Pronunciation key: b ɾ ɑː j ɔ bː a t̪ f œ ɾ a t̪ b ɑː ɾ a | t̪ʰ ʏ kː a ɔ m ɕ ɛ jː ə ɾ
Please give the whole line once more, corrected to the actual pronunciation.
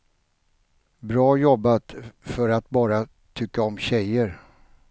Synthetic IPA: b ɾ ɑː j ɔ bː a t̪ f œ ɾ a t̪ b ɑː ɾ a | t̪ʰ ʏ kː a ɔ m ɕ ɛ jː ə ɾ